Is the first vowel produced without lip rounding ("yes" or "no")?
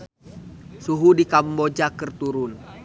no